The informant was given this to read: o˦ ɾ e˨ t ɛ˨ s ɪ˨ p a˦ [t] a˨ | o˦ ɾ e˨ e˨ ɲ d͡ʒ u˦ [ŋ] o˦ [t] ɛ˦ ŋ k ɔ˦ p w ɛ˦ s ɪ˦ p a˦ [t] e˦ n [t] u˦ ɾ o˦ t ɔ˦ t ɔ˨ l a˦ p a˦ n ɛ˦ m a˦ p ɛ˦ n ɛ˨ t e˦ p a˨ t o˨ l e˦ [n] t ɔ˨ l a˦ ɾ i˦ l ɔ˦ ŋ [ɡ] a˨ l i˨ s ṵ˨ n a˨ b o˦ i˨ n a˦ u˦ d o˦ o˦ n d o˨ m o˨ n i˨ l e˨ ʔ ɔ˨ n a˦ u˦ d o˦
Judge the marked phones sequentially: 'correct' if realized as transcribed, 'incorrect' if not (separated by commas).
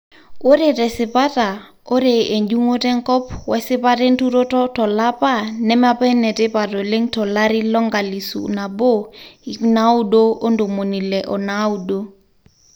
correct, correct, correct, correct, correct, incorrect, correct